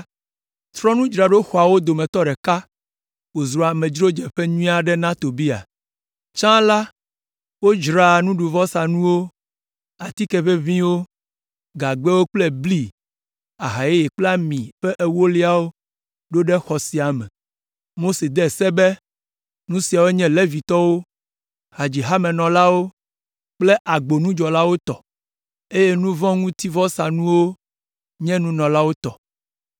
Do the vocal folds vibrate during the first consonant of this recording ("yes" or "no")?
no